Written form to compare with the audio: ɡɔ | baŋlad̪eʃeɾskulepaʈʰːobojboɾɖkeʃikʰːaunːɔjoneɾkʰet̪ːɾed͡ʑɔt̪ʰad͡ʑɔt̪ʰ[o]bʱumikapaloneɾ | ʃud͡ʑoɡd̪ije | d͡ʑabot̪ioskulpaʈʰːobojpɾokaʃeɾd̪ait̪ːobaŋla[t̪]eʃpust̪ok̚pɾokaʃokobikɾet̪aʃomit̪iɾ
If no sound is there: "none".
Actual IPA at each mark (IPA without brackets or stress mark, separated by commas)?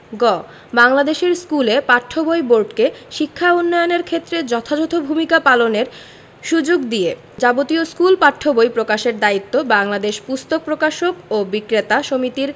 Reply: o, d̪